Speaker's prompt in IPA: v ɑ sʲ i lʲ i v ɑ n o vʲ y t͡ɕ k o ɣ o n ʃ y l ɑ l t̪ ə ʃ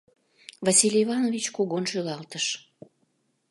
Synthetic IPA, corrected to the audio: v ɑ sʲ i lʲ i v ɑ n o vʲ i t͡ɕ k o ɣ o n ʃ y l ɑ l t̪ ə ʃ